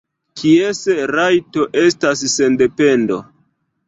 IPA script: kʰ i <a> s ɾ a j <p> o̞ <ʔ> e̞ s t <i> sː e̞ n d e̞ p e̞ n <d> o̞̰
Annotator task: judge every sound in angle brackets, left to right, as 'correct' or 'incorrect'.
incorrect, incorrect, correct, incorrect, correct

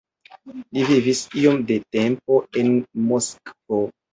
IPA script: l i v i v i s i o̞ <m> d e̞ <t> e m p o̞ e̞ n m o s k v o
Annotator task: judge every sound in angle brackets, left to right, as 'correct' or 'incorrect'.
correct, correct

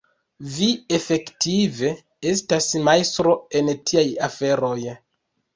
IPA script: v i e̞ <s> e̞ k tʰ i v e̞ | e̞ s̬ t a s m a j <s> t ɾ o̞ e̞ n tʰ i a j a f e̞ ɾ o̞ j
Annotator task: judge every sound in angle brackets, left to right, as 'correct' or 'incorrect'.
incorrect, correct

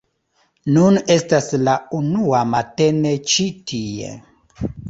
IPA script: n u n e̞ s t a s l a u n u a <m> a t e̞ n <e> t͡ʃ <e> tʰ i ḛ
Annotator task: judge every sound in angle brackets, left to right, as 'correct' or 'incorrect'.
correct, correct, incorrect

